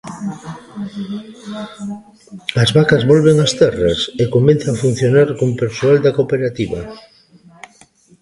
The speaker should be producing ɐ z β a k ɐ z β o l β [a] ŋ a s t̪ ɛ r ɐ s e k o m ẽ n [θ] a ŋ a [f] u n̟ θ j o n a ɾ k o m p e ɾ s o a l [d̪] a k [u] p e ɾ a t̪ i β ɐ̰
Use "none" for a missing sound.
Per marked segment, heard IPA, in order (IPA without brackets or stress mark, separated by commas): e, θ, f, d̪, o